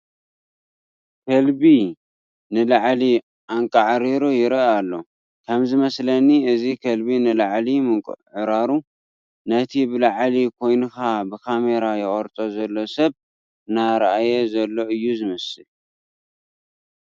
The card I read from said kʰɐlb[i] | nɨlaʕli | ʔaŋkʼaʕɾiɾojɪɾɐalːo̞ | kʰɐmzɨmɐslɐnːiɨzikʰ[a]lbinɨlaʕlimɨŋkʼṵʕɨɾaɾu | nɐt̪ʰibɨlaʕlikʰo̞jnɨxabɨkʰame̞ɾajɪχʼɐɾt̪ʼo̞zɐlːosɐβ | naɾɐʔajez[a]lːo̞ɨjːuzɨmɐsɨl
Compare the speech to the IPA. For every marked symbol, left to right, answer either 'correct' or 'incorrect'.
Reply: correct, incorrect: ɐ, incorrect: ɐ

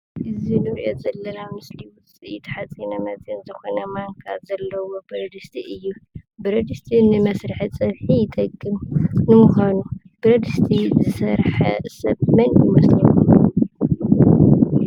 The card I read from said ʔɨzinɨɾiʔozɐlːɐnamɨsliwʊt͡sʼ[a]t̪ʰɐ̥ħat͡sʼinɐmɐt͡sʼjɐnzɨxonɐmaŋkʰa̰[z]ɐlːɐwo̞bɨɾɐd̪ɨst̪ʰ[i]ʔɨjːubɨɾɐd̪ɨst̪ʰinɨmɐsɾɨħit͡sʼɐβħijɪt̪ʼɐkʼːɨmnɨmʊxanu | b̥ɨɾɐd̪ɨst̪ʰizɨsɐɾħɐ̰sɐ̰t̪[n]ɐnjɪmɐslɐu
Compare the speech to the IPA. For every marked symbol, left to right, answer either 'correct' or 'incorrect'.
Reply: incorrect: i, correct, correct, incorrect: m

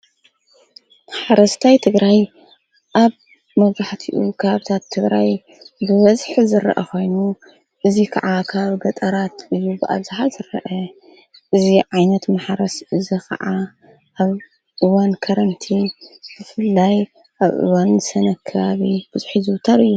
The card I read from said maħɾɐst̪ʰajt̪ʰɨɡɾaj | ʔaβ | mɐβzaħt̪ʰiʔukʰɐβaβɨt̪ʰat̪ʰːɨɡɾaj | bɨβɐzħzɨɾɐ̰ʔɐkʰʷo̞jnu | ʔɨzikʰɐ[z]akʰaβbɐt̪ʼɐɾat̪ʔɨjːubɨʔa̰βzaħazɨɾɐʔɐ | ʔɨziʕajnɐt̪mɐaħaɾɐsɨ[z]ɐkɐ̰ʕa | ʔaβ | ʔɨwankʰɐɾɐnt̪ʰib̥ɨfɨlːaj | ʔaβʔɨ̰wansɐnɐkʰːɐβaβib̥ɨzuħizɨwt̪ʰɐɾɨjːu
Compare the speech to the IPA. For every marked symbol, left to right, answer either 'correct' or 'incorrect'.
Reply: incorrect: ʕ, correct

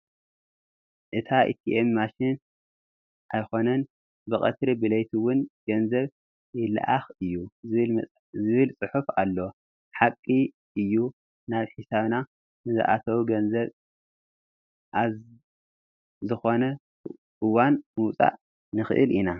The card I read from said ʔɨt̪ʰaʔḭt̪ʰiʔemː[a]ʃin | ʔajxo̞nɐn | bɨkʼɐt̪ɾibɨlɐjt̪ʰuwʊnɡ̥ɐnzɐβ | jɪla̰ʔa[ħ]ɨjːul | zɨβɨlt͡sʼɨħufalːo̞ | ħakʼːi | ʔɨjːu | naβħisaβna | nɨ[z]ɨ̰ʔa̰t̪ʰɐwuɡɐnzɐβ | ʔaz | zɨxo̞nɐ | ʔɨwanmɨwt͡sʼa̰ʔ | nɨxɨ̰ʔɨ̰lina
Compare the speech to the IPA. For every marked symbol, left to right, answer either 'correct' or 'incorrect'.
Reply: correct, incorrect: x, correct

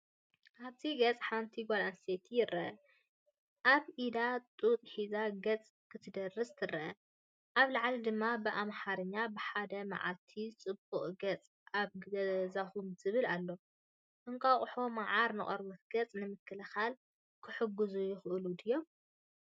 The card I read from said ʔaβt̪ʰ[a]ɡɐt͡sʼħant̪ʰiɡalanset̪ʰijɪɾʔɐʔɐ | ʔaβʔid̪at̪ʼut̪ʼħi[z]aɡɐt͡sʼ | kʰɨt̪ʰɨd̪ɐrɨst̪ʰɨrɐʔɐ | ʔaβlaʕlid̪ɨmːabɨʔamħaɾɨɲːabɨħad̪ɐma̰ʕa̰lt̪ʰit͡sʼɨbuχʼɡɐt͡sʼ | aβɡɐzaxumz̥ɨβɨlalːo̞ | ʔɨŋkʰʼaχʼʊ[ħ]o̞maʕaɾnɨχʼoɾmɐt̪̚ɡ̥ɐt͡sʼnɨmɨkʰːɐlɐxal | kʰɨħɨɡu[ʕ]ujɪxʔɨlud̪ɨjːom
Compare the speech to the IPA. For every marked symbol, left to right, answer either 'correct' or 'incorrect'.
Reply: incorrect: i, correct, correct, incorrect: z

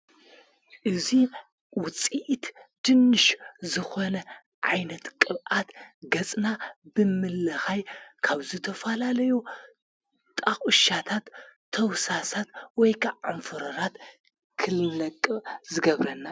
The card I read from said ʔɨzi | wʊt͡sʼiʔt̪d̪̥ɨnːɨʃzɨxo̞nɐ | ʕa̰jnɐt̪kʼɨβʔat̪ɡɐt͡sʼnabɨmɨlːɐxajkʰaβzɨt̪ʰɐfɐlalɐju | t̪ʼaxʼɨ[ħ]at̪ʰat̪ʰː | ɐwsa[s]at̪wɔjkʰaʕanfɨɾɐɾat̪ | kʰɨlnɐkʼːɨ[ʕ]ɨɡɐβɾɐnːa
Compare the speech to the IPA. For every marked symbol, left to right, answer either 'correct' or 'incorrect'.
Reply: incorrect: ʃ, correct, incorrect: z

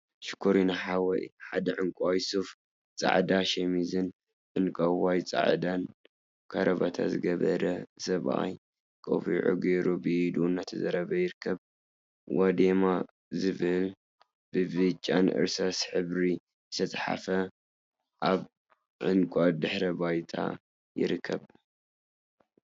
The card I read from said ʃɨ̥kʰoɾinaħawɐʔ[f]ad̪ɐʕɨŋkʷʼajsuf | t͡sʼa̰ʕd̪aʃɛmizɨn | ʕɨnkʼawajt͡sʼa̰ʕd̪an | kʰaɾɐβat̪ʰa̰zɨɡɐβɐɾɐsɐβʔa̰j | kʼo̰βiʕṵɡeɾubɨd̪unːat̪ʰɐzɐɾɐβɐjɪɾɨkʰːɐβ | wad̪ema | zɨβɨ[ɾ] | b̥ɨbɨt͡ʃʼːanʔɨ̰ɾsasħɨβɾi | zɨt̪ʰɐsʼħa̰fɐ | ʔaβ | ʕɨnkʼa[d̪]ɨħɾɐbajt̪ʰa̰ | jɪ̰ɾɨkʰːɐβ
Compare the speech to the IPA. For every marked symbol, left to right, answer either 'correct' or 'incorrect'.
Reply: incorrect: ħ, incorrect: l, correct

